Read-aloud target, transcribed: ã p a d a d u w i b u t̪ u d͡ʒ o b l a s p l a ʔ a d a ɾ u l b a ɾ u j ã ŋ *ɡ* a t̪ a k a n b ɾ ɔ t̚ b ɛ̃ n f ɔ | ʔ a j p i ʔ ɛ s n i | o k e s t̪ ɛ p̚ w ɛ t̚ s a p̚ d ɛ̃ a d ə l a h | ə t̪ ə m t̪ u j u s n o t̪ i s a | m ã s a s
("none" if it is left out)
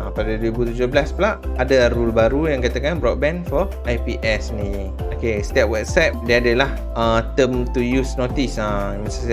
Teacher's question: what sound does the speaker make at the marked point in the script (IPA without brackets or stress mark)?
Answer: k